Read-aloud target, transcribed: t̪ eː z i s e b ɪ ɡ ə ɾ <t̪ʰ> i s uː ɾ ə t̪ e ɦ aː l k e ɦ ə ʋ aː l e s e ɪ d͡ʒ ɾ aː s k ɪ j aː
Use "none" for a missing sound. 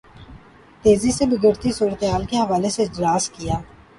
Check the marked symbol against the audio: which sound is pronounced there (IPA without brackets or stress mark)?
t̪